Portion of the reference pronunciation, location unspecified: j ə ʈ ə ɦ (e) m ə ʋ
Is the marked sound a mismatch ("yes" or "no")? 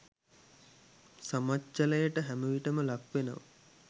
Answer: yes